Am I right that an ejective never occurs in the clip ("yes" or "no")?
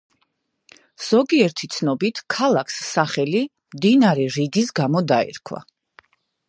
yes